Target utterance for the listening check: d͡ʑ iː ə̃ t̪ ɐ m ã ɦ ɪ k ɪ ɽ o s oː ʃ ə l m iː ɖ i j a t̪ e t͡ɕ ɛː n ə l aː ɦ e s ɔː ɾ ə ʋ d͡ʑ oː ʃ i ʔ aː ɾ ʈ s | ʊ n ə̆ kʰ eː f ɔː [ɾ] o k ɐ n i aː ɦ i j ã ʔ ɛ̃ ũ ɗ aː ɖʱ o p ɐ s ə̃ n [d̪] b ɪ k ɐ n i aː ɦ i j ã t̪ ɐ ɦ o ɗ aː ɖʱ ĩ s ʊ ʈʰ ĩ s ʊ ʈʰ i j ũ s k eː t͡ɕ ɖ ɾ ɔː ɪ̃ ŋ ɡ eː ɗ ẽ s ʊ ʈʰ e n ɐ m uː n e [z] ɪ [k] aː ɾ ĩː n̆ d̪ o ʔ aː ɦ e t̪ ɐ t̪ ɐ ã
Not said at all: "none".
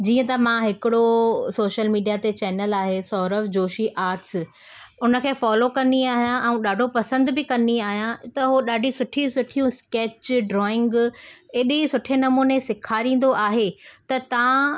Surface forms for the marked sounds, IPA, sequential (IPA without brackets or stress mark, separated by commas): l, d̪, s, kʰ